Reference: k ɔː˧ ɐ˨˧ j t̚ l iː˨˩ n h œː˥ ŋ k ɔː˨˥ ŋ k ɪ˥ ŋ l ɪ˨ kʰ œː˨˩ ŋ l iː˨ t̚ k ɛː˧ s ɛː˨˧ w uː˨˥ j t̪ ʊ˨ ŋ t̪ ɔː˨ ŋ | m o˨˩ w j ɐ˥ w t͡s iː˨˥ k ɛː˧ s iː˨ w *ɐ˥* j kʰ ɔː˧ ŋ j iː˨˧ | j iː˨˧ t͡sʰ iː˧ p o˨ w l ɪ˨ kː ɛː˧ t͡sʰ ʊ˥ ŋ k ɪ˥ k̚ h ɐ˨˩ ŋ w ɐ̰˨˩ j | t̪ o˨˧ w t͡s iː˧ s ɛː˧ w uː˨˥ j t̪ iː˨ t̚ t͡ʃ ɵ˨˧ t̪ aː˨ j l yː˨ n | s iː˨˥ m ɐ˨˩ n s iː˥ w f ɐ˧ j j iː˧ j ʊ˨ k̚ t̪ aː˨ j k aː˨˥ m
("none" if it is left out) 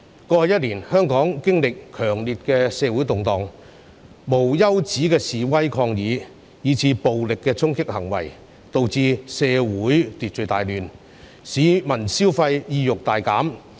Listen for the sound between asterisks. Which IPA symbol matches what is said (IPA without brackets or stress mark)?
ɐ˥